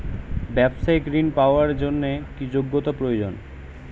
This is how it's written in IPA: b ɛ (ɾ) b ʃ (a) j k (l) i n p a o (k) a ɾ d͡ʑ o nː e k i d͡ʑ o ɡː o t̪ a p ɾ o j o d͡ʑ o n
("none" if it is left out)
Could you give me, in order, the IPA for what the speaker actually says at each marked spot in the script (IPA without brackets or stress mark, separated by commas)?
none, a, ɾ, none